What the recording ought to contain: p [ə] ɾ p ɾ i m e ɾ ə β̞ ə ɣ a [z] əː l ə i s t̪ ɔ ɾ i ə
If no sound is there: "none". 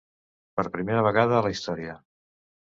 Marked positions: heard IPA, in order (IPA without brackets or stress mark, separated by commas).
ə, ð